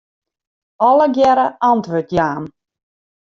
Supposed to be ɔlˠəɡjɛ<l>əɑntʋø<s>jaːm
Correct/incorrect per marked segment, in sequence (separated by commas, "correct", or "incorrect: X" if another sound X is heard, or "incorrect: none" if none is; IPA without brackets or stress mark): incorrect: ɾ, incorrect: t